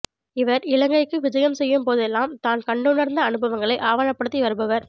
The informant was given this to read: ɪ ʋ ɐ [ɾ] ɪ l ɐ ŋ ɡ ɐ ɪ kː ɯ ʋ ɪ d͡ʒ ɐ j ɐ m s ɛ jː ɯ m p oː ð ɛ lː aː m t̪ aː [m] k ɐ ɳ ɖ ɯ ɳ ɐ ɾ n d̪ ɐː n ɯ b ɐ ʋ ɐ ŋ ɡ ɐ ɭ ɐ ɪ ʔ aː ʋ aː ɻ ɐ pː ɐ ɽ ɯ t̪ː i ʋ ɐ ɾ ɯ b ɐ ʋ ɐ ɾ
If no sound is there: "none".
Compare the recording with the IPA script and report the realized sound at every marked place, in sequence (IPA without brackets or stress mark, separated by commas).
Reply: ɾ, n